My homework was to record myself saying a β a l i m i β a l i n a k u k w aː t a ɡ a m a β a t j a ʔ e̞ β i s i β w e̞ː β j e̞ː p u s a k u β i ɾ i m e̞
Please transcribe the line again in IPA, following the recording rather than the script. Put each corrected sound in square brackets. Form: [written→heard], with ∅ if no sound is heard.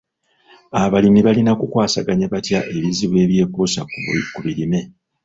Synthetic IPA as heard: a β a l i m i β a l i n a k u k w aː [t→s] a ɡ a [m→ɲ] a β a t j a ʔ e̞ β i [s→z] i β w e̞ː β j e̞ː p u s a k u β i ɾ i m e̞